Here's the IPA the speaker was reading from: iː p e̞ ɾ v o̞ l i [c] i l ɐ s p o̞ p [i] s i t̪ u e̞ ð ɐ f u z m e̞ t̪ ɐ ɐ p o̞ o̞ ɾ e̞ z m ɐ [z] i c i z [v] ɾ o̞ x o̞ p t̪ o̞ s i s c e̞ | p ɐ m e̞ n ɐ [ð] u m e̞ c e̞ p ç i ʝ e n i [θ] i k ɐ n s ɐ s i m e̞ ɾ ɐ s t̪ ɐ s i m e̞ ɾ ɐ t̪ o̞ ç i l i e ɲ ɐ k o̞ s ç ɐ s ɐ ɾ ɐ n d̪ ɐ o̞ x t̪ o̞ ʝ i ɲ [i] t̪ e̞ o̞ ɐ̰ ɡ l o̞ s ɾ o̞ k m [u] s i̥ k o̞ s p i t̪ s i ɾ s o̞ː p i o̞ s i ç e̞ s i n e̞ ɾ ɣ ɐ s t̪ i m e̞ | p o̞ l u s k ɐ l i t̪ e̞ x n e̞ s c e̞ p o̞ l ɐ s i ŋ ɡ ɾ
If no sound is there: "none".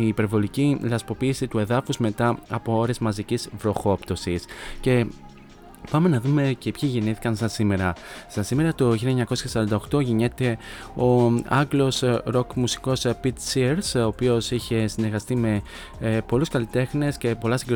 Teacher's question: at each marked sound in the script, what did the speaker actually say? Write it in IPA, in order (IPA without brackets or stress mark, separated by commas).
c, iː, z, v, ð, θ, e, u